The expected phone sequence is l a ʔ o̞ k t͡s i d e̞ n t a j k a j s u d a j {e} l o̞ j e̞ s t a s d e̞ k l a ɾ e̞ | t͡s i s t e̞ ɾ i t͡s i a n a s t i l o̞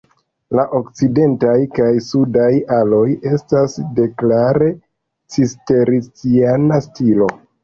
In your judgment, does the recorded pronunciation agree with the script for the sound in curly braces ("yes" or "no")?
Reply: no